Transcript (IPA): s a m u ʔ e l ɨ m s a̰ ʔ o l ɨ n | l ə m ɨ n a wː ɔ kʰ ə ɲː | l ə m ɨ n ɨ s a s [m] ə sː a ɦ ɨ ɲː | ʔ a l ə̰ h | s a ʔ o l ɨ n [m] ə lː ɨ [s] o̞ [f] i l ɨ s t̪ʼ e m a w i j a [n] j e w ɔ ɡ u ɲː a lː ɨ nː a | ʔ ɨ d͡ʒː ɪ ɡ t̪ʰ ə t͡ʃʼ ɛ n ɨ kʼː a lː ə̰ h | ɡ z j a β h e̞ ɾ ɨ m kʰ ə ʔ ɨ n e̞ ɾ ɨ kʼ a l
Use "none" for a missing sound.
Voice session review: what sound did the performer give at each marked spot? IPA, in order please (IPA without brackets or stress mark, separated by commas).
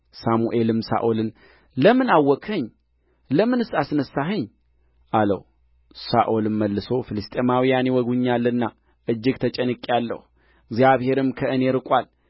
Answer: n, m, s, f, n